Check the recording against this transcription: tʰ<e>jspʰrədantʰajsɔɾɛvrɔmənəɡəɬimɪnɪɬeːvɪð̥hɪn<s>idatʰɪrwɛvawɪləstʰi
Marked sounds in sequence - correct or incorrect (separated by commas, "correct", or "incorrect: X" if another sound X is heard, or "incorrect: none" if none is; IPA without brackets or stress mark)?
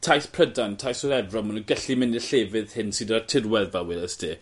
incorrect: a, correct